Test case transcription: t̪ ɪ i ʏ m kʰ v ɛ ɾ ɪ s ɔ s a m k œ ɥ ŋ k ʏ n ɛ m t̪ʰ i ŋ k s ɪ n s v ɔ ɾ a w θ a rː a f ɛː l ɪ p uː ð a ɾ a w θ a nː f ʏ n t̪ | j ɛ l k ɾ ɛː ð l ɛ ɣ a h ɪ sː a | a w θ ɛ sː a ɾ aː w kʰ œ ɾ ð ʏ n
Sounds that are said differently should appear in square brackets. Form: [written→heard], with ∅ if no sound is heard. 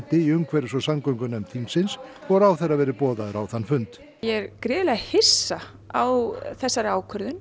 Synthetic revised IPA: t̪ ɪ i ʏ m kʰ v ɛ ɾ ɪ s ɔ s a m k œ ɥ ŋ k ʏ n ɛ m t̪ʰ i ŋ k s ɪ n s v ɔ ɾ a w θ [a→ɛ] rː a [f→v] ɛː [l→ɾ] ɪ p [uː→ɔː] ð a ɾ a w θ a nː f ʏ n t̪ | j ɛ [l→ɾ] k ɾ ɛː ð l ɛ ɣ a h ɪ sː a | a w θ ɛ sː a ɾ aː w kʰ œ ɾ ð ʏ n